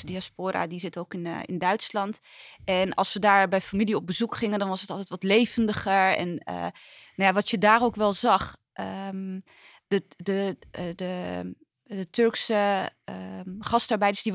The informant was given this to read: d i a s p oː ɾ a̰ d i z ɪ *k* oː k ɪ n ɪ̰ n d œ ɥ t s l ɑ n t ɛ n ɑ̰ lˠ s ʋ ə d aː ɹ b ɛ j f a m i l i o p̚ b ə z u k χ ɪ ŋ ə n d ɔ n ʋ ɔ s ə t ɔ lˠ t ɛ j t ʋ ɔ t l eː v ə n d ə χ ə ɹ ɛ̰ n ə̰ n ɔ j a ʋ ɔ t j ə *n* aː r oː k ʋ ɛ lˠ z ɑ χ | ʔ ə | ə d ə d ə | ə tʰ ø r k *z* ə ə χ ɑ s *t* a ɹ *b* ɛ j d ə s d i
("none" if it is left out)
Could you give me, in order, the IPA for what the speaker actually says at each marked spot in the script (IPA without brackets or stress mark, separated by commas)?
t, d, s, t, b